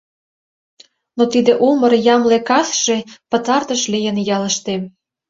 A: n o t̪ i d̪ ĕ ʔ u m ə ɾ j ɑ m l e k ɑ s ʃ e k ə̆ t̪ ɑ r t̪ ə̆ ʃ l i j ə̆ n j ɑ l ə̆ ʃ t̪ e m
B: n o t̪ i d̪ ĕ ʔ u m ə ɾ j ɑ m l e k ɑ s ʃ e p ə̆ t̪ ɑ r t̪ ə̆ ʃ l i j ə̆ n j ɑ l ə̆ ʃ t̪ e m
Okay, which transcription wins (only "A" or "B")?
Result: B